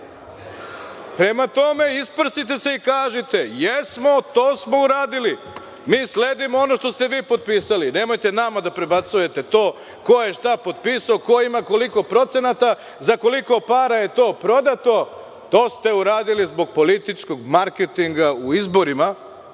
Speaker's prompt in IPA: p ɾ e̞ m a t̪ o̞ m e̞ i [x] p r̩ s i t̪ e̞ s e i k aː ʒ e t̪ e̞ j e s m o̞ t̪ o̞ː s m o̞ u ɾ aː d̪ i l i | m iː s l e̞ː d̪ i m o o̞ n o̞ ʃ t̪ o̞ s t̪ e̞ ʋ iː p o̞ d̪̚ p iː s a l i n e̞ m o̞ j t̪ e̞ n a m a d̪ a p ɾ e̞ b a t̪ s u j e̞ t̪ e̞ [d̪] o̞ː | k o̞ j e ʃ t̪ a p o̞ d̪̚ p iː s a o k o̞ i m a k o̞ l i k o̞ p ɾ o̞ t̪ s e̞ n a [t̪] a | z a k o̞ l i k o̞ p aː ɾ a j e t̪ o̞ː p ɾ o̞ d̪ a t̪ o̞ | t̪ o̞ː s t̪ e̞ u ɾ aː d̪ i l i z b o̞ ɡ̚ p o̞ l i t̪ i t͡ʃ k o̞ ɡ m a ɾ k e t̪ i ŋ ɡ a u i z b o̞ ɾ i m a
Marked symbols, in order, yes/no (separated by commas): no, no, yes